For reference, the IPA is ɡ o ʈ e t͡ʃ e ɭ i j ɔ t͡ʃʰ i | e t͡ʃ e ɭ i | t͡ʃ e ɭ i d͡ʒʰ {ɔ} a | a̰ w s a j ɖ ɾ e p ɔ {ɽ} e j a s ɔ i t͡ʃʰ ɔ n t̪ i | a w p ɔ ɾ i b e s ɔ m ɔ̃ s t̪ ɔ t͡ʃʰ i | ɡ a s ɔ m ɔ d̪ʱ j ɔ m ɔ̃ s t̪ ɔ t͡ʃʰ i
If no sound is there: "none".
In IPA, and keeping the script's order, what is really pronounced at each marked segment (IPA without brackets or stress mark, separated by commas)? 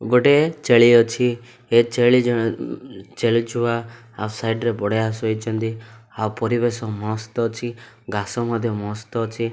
u, ɽ